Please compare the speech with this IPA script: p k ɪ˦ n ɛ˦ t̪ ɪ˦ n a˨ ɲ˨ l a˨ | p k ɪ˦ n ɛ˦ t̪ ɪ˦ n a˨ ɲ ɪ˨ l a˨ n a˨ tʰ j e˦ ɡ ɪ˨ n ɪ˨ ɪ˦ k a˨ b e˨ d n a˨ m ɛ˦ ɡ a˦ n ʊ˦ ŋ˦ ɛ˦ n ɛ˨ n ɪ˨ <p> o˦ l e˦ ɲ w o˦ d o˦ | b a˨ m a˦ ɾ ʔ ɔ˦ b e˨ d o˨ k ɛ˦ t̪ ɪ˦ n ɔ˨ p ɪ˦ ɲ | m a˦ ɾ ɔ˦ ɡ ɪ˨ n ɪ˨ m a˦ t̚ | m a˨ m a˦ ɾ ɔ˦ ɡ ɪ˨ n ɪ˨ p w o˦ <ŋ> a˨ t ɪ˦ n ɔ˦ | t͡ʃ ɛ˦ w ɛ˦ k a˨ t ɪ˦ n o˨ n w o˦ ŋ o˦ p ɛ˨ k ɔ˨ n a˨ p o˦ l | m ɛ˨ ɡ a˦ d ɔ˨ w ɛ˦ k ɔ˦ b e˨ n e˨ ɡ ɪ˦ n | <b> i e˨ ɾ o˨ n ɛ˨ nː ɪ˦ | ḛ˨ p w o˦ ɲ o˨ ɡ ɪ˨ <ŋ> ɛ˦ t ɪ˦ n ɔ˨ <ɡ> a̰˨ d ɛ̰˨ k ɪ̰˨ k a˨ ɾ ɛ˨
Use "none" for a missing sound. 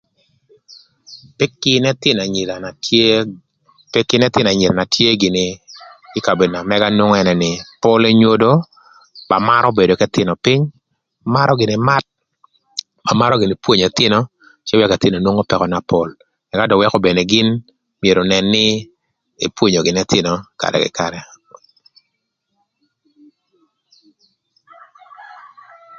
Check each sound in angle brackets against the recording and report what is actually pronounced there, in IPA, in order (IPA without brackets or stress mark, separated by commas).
p, ɲ, m, n, k